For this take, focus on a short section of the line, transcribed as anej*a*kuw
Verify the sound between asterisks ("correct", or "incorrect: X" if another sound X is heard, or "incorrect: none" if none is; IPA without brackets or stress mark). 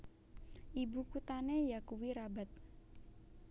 correct